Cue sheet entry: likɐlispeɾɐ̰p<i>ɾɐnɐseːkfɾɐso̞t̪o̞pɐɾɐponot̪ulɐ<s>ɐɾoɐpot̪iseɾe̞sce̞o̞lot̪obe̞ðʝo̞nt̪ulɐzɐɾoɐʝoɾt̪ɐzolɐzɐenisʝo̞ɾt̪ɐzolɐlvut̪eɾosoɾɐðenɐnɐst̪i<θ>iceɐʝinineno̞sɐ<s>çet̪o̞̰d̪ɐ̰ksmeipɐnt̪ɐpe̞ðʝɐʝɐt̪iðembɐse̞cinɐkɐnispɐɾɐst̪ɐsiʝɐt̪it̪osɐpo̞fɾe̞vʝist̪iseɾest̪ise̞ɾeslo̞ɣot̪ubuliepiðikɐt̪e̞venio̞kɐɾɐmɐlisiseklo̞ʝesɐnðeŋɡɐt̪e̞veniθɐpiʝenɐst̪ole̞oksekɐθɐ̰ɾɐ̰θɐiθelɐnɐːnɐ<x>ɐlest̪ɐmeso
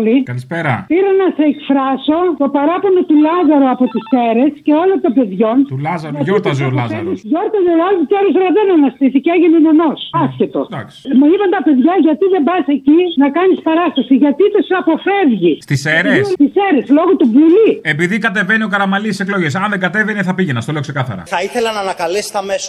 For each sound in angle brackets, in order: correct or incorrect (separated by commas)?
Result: correct, incorrect, correct, correct, incorrect